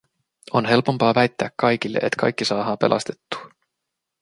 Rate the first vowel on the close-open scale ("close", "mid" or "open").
mid